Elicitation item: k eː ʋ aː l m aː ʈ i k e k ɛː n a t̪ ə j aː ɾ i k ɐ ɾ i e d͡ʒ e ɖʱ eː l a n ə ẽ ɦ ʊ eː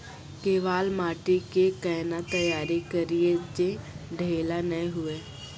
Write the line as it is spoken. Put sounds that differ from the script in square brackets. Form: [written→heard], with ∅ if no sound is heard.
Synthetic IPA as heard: k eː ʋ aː l m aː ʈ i k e k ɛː n a t̪ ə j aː ɾ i k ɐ ɾ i e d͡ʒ e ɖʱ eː l a n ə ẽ ɦ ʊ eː